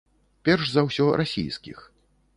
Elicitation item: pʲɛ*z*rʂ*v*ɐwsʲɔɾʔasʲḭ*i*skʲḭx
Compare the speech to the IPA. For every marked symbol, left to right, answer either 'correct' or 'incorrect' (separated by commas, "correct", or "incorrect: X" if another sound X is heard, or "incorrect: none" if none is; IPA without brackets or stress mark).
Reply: incorrect: none, incorrect: z, incorrect: j